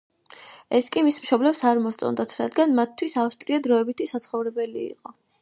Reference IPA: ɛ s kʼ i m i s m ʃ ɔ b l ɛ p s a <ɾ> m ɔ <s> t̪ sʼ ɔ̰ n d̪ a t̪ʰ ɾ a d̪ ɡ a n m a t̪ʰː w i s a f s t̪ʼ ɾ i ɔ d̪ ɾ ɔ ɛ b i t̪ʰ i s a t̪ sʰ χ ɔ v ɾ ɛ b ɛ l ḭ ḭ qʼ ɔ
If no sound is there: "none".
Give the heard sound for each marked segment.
ɾ, s

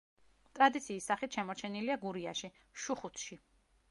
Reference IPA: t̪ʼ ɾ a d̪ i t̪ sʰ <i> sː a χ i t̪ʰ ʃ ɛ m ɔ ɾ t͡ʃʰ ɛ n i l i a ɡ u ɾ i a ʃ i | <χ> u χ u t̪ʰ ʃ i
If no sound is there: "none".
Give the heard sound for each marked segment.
iː, ʃ

